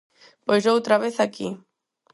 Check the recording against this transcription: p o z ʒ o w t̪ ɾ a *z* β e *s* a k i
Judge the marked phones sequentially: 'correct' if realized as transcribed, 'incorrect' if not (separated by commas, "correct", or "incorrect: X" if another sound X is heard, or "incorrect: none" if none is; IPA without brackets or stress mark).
incorrect: none, incorrect: θ